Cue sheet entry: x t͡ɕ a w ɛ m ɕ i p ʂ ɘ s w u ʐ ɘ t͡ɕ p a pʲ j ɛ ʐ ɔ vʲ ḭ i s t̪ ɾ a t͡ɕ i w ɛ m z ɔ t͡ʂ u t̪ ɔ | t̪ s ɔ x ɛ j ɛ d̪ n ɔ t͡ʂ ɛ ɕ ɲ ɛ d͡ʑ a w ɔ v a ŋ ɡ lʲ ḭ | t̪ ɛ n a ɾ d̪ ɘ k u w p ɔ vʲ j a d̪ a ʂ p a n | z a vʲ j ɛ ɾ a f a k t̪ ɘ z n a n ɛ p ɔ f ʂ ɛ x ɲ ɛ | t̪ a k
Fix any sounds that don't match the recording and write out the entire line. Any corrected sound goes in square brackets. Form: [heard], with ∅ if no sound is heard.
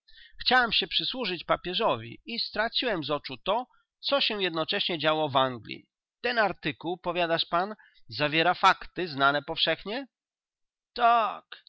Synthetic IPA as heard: x t͡ɕ a w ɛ m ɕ [ɛ] p ʂ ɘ s w u ʐ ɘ t͡ɕ p a pʲ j ɛ ʐ ɔ vʲ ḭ i s t̪ ɾ a t͡ɕ i w ɛ m z ɔ t͡ʂ u t̪ ɔ | t̪ s ɔ [ɕ] ɛ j ɛ d̪ n ɔ t͡ʂ ɛ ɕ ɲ ɛ d͡ʑ a w ɔ v a ŋ ɡ lʲ ḭ | t̪ ɛ n a ɾ [t̪] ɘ k u w p ɔ vʲ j a d̪ a ʂ p a n | z a vʲ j ɛ ɾ a f a k t̪ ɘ z n a n ɛ p ɔ f ʂ ɛ x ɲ ɛ | t̪ a k